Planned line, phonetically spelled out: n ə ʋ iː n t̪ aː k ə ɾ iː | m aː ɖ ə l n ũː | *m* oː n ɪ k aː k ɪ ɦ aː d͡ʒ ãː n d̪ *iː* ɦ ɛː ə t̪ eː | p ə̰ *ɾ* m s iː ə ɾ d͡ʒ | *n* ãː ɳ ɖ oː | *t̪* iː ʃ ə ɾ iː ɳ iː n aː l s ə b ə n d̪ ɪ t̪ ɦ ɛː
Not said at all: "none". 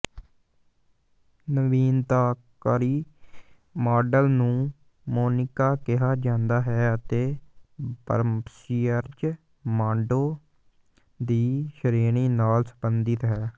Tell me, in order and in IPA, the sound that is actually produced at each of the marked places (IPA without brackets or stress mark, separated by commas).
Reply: m, aː, ɾ, m, d̪